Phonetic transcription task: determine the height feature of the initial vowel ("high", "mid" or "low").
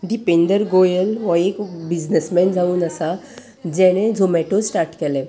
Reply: high